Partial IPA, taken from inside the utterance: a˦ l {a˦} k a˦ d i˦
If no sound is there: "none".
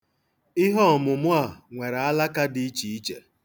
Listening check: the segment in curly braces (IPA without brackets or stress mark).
a˦